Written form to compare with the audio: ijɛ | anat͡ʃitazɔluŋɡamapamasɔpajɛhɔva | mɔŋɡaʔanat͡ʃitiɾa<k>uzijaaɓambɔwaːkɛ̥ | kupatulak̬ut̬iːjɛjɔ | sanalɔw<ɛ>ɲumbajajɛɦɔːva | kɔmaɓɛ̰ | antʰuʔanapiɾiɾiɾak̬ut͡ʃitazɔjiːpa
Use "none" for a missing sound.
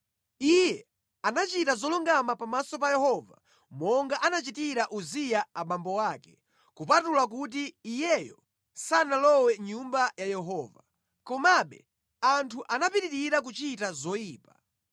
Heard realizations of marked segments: ʔ, ɛ

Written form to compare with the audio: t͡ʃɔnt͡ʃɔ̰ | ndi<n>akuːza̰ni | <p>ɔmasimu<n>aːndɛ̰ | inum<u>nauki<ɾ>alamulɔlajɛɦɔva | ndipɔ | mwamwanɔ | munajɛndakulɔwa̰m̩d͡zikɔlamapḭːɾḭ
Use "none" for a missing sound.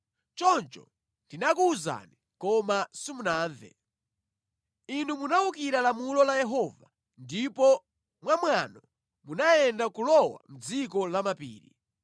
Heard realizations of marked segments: n, k, n, u, ɾ

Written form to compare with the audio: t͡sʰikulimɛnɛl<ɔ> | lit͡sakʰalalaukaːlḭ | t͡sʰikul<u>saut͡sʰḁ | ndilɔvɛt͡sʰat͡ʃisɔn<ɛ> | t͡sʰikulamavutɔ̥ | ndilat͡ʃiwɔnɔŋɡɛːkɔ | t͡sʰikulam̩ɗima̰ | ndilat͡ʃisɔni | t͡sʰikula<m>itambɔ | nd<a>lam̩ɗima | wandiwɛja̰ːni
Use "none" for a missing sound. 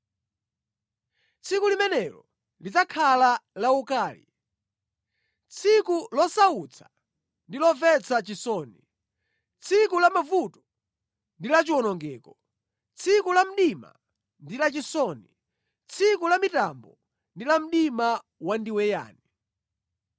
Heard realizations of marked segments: ɔ, ɔ, i, m, i

